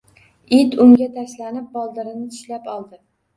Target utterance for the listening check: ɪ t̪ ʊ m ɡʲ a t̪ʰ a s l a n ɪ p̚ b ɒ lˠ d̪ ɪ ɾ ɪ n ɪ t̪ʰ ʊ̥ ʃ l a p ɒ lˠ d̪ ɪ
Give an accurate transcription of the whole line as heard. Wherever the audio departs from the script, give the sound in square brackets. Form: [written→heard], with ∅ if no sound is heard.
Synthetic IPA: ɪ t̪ ʊ [m→ŋ] ɡʲ a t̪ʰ a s l a n ɪ p̚ b ɒ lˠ d̪ ɪ ɾ ɪ n ɪ t̪ʰ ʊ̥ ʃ l a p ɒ lˠ d̪ ɪ